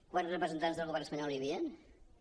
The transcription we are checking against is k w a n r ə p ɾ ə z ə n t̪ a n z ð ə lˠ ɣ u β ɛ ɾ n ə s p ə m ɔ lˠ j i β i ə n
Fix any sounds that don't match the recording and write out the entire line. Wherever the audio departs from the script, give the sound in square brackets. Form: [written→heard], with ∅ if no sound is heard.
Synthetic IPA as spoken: k w a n r ə p ɾ ə z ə n t̪ a n z ð ə lˠ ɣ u β ɛ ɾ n ə s p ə [m→ɲ] ɔ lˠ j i β i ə n